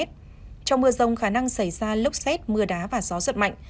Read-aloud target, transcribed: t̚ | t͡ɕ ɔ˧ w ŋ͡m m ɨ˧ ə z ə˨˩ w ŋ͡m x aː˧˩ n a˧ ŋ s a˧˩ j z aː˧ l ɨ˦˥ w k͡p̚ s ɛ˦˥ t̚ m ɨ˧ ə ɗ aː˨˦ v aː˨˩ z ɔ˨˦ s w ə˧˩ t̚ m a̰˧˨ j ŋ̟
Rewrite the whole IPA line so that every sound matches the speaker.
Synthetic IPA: t̚ | t͡ɕ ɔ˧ w ŋ͡m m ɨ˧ ə z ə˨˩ w ŋ͡m x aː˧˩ n a˧ ŋ s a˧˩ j z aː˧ l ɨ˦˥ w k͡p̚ s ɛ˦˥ t̚ m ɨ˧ ə ɗ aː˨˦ v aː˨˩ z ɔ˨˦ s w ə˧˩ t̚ m a̰˧˨ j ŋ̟